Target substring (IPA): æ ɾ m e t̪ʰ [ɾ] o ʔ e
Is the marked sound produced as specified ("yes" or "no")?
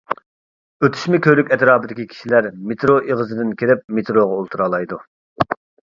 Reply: yes